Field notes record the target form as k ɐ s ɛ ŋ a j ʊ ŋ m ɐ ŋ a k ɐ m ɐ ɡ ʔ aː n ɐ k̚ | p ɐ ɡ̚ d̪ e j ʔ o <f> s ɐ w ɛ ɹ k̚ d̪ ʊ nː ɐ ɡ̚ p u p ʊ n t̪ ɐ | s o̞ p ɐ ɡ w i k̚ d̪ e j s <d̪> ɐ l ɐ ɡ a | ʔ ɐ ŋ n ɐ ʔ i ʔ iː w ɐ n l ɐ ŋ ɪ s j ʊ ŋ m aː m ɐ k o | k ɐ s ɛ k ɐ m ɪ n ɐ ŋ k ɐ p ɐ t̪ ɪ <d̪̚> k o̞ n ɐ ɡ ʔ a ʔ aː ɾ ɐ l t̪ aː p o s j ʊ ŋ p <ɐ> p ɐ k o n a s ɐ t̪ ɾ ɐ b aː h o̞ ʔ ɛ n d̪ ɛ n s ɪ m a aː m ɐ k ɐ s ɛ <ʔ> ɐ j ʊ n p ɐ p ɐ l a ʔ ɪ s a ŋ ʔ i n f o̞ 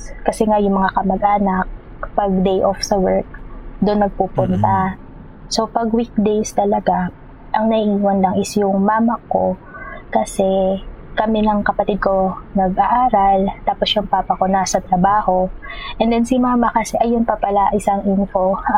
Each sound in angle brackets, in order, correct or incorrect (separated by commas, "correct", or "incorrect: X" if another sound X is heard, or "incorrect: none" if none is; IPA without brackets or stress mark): correct, incorrect: t̪, correct, incorrect: a, correct